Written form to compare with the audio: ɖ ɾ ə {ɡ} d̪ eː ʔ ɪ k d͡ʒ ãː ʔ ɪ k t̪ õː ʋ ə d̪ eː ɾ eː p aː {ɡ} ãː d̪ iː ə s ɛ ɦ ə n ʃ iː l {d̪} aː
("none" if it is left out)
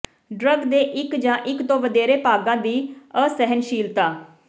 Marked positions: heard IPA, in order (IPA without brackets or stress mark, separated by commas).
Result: ɡ, ɡ, t̪